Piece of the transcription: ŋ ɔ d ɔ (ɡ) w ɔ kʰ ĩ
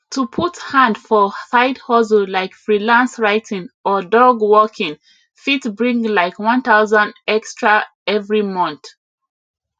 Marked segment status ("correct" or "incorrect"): correct